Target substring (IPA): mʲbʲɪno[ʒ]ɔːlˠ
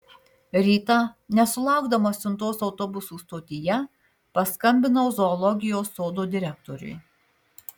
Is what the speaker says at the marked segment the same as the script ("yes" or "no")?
no